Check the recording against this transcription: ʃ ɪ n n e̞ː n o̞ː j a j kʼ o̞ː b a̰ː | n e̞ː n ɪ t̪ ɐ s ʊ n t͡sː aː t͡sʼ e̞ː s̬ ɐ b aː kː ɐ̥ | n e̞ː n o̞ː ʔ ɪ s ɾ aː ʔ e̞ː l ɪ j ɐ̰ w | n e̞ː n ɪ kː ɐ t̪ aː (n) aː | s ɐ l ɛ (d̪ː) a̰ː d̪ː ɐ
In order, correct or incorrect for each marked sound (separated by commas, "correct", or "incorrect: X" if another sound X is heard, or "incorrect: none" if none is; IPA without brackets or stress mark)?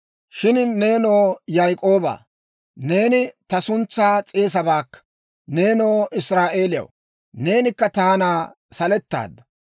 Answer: correct, incorrect: t̪ː